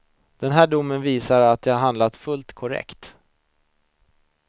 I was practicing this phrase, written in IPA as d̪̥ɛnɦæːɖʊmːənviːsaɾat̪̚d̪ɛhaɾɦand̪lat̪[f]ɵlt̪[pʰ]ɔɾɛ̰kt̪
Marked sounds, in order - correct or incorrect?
correct, incorrect

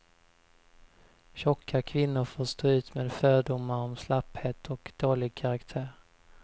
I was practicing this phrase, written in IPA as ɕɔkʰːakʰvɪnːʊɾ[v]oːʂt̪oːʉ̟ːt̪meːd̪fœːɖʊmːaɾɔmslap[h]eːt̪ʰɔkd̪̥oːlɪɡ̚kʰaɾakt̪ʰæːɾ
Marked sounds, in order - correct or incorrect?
incorrect, correct

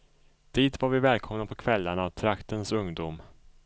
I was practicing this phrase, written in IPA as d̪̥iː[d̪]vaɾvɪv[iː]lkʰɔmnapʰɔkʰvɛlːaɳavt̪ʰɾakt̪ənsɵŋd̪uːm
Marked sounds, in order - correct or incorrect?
incorrect, incorrect

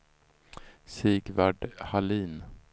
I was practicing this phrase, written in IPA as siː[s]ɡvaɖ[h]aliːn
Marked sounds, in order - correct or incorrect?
incorrect, correct

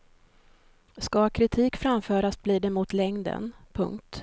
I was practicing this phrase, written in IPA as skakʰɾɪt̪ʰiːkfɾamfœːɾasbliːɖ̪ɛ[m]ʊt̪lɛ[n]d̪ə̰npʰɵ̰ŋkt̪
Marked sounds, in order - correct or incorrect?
correct, incorrect

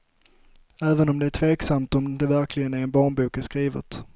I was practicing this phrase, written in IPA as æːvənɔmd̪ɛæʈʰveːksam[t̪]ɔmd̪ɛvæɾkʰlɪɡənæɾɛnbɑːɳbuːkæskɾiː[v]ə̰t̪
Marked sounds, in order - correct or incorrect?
correct, correct

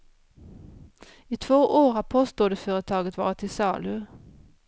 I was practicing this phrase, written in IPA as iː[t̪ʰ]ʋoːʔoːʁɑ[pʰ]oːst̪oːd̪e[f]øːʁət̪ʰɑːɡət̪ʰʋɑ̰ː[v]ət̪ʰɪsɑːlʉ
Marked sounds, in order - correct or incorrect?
correct, correct, correct, incorrect

